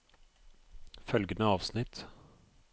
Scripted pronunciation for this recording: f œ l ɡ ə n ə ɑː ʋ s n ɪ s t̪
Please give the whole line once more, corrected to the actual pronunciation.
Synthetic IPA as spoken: f œ l ɡ ə n ə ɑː ʋ s n ɪ t̪